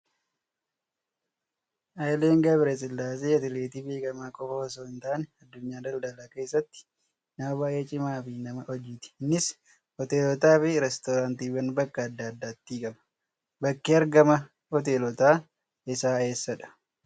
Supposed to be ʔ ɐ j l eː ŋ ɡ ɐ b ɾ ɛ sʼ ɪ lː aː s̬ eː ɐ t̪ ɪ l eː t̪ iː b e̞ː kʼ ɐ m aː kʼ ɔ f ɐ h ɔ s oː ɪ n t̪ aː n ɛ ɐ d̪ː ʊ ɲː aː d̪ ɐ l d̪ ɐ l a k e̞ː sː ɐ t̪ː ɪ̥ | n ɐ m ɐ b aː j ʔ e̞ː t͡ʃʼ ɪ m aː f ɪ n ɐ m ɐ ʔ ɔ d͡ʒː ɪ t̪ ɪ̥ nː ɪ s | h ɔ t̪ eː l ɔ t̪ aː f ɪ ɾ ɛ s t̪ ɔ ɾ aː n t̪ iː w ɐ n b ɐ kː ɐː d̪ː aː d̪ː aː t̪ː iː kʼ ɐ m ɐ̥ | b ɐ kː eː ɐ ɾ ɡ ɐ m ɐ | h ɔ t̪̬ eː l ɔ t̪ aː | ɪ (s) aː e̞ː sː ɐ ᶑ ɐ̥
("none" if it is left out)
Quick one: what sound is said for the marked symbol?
s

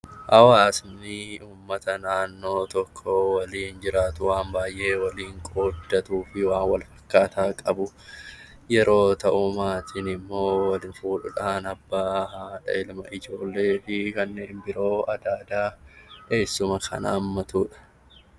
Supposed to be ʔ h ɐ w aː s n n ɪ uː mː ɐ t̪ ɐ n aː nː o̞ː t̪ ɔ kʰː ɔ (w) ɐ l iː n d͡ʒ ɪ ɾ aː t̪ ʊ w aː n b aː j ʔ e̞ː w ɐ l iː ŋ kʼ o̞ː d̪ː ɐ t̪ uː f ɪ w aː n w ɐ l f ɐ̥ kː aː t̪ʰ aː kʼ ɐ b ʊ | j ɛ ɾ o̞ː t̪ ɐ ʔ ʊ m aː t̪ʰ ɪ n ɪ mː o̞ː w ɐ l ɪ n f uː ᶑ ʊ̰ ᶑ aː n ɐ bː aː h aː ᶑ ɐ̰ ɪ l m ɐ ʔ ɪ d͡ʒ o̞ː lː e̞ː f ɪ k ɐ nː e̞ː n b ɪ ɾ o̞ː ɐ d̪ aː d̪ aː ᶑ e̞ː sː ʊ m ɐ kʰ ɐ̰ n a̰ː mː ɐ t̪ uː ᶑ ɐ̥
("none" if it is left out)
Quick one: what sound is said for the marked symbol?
w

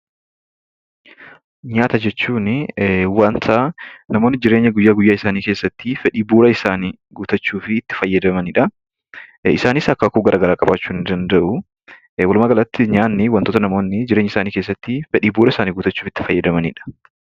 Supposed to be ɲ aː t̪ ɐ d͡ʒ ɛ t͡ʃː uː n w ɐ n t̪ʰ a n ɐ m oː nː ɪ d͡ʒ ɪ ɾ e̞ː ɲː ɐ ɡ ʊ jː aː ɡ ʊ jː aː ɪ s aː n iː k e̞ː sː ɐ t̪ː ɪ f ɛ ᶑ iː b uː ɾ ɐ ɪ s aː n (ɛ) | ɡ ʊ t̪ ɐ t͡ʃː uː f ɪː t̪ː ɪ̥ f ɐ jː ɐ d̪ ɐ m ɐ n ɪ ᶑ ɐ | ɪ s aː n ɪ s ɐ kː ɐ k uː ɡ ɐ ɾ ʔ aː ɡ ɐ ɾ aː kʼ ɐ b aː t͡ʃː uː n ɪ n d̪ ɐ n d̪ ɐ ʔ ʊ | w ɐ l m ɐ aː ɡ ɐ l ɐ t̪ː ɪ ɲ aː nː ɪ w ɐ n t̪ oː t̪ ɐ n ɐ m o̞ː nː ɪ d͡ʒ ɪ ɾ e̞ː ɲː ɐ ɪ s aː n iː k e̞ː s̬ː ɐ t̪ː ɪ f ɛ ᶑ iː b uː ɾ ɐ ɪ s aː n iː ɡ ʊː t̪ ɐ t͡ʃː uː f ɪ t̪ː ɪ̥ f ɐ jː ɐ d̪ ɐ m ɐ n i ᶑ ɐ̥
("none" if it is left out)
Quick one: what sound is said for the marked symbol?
i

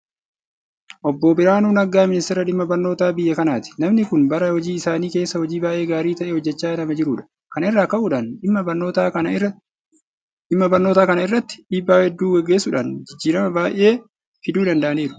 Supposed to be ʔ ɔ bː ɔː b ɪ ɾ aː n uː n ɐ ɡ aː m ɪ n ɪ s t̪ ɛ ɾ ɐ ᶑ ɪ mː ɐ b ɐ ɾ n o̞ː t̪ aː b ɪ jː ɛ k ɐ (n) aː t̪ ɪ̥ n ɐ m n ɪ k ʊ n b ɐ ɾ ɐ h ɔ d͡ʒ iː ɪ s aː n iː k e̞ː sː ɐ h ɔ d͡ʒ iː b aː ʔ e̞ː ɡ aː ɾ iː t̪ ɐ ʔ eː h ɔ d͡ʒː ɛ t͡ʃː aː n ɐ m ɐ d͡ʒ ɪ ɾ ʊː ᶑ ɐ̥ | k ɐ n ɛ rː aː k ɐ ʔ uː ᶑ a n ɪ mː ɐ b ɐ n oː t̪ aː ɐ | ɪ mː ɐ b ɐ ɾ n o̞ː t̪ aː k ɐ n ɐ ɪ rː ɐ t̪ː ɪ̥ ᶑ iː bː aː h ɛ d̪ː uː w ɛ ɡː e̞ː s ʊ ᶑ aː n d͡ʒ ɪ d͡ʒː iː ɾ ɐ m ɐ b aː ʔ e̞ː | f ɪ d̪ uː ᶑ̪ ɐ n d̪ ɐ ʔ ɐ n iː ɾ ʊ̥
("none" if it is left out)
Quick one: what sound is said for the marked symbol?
n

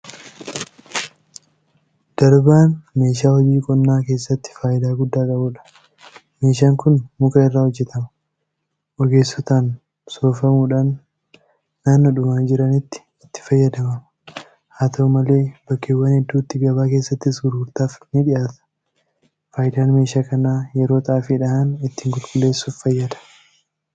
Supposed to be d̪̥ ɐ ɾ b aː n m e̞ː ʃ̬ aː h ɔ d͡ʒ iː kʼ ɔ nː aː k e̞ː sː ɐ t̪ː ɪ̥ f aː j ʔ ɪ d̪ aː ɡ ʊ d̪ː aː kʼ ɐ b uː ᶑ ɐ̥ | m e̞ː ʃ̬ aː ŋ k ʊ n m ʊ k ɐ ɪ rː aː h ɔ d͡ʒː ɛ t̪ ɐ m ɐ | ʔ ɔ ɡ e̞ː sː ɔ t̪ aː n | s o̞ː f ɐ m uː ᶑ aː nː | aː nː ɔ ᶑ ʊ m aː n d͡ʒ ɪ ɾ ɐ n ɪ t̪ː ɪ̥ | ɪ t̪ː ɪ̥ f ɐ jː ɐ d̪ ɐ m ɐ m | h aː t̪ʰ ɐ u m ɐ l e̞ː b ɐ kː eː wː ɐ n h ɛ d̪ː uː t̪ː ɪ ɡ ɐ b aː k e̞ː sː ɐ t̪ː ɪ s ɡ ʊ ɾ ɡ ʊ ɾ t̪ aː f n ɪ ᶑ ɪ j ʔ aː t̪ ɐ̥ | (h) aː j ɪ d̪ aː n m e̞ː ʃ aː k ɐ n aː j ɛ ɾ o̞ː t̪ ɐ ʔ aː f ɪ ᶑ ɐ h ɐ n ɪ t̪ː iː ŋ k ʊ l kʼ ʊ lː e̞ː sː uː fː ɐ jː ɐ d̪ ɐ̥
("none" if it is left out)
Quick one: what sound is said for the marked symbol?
f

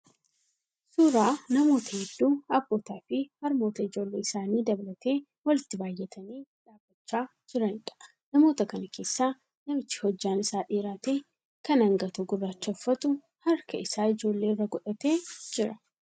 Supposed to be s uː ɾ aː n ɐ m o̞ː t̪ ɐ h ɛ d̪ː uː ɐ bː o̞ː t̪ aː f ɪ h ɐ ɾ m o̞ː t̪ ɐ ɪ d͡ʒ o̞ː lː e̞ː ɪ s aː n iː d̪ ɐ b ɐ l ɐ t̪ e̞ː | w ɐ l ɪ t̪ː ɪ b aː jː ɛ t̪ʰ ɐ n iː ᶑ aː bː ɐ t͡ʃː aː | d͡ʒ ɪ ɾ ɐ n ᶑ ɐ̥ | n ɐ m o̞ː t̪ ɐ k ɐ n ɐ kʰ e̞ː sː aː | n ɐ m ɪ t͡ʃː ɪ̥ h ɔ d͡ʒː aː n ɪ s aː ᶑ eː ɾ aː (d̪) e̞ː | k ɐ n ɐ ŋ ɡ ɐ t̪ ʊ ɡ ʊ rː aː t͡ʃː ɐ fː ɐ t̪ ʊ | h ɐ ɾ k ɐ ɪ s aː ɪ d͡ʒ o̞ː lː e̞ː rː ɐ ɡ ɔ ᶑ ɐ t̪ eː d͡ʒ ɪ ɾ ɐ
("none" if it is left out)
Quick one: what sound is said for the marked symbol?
t̪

